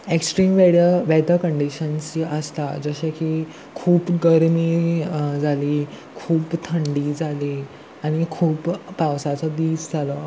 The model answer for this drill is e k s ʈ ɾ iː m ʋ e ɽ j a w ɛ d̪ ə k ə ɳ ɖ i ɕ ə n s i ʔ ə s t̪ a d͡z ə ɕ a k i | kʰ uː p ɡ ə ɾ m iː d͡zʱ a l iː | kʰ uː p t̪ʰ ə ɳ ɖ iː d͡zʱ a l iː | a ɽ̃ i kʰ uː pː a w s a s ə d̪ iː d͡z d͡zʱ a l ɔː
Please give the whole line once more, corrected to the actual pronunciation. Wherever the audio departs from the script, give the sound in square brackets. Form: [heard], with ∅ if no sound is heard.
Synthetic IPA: e k s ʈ ɾ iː m ʋ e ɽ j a [ʋ] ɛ d̪ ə k ə ɳ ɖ i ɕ ə n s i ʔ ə s t̪ a d͡z ə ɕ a k i | kʰ uː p ɡ ə ɾ m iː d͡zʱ a l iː | kʰ uː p t̪ʰ ə ɳ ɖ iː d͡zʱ a l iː | a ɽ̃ i kʰ uː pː a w s a [t͡s] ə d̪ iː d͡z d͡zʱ a l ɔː